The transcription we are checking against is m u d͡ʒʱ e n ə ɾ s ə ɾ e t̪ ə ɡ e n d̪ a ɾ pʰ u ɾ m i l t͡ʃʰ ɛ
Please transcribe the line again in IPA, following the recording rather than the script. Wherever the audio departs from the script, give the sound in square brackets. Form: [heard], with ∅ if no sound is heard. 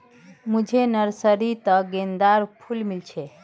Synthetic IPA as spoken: m u d͡ʒʱ e n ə ɾ s ə ɾ [i] t̪ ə ɡ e n d̪ a ɾ pʰ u [l] m i l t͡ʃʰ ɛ